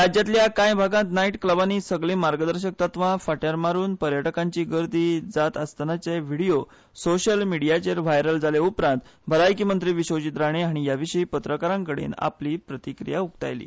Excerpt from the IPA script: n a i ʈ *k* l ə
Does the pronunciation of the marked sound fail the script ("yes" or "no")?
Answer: no